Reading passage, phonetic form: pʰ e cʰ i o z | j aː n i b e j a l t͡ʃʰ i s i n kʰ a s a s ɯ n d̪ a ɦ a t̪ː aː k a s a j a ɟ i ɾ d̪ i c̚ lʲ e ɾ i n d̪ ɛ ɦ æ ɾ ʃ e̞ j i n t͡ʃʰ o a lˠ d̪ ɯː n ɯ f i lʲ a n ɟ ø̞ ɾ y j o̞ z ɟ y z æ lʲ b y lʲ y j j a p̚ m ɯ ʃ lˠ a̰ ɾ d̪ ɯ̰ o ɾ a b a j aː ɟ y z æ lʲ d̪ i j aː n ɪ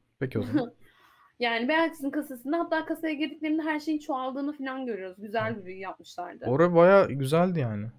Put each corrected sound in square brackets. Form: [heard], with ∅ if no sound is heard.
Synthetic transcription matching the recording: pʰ e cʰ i o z | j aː n i b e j a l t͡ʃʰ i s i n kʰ a s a s ɯ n d̪ a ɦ a t̪ː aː k a s a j a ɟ i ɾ d̪ i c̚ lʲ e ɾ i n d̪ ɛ ɦ æ ɾ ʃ e̞ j i n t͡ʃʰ o a lˠ d̪ ɯː n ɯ f i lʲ a n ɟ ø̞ ɾ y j o̞ z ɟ y z æ lʲ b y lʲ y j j a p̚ m ɯ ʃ lˠ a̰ ɾ d̪ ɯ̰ o ɾ a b a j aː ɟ y z æ lʲ d̪ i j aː n ɪ